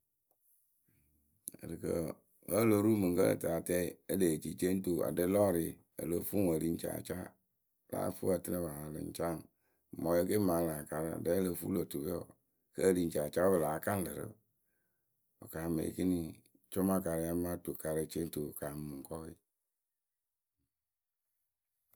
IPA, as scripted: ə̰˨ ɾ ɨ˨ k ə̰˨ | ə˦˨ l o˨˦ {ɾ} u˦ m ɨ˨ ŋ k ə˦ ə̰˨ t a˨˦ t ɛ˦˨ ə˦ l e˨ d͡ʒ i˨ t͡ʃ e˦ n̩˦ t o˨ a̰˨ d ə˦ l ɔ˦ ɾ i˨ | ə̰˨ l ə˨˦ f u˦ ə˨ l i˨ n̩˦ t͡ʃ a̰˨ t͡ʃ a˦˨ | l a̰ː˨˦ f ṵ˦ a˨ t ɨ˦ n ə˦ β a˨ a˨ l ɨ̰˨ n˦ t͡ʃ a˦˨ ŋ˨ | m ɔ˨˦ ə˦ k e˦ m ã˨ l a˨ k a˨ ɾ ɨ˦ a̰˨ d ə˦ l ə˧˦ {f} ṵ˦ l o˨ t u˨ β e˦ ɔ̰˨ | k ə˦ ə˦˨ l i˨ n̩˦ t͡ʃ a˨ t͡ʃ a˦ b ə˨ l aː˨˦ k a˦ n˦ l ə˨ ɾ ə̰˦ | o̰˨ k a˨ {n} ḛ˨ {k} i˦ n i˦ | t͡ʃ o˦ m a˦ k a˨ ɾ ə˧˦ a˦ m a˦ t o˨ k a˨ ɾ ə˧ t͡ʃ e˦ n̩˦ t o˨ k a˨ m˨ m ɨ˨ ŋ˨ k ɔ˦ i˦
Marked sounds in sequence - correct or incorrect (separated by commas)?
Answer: correct, correct, incorrect, correct